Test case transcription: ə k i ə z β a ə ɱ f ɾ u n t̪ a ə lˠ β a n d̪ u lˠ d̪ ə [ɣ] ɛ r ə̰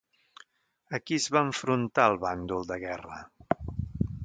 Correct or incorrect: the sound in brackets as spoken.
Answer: correct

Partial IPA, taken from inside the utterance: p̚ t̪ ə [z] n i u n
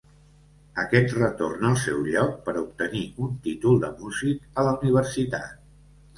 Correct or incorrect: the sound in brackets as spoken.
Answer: incorrect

